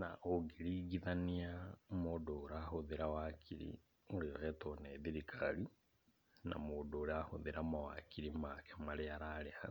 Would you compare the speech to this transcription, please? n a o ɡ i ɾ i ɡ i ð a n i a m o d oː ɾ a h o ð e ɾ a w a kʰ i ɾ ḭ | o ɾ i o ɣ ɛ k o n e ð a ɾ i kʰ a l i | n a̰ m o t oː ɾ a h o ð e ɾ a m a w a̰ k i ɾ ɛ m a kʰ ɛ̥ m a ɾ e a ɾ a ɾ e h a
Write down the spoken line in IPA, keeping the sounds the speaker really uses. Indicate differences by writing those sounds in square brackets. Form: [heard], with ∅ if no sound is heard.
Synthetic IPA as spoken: n a o ɡ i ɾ i ɡ i ð a n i a m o d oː ɾ a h o ð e ɾ a w a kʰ i ɾ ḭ | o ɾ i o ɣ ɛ [t] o n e ð [i] ɾ i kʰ a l i | n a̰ m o [d] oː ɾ a h o ð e ɾ a m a w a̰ k i ɾ [i] m a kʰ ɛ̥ m a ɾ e a ɾ a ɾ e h a